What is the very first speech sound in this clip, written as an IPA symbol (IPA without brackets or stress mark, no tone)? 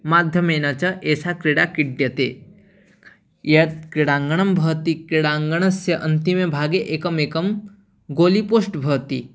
m